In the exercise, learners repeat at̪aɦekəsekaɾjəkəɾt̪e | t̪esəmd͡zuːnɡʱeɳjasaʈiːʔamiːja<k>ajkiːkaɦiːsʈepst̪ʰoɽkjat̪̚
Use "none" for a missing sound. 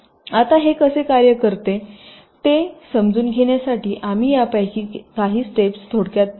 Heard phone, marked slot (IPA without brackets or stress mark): p